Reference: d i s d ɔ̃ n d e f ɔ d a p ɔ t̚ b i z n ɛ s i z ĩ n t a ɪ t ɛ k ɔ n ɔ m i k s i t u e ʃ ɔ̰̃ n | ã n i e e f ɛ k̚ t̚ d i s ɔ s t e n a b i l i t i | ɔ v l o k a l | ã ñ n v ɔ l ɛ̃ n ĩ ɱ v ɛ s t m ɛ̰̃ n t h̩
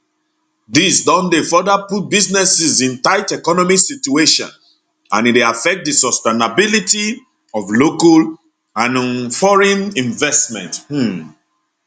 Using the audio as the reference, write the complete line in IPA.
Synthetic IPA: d i s d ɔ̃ n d e f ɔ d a p u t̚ b i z n ɛ s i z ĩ n t a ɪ t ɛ k ɔ n ɔ m i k s i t u e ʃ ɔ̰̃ n | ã n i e a f ɛ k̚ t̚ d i s ɔ s t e n a b i l i t i | ɔ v l o k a l | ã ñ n f ɔ ɹ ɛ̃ n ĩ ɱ v ɛ s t m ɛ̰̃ n t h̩